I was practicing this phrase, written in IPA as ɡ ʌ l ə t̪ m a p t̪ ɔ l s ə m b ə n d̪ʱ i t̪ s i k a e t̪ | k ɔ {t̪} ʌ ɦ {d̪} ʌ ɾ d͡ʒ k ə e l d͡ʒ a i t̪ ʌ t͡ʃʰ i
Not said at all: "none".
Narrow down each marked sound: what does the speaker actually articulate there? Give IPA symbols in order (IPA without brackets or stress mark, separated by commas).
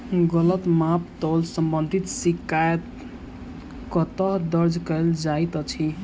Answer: t̪, d̪